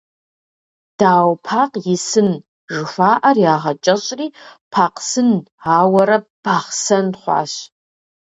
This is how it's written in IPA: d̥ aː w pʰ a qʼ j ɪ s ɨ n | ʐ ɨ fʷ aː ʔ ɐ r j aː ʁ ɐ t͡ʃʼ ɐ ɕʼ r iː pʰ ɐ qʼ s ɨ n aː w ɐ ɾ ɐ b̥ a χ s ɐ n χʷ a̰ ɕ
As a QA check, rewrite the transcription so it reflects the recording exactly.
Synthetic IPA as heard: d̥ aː w pʰ a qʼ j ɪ s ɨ n | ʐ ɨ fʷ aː ʔ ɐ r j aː ʁ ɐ t͡ʃʼ ɐ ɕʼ r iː pʰ a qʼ s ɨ n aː w ɐ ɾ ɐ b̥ a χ s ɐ n χʷ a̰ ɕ